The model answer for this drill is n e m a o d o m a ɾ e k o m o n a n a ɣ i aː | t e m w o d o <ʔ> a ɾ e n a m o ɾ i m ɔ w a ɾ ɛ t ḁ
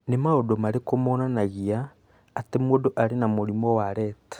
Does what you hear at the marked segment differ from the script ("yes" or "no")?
no